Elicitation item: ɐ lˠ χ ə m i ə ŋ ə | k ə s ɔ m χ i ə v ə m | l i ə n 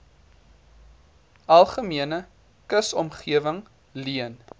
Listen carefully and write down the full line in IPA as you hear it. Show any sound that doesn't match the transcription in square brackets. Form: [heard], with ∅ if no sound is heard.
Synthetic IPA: ɐ lˠ χ ə m i ə [n] ə | k ə s ɔ m χ i ə v ə [ŋ] | l i ə n